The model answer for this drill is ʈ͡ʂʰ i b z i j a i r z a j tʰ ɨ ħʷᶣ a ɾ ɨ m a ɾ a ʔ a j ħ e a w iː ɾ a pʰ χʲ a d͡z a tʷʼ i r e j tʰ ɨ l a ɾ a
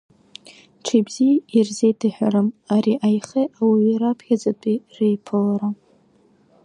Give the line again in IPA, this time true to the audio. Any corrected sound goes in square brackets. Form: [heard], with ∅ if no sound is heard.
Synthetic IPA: ʈ͡ʂʰ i b z i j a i r z [e] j tʰ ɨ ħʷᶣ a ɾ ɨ m a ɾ [i] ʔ a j [χ] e a w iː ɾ a pʰ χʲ a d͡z a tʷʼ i r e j [pʰ] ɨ l a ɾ a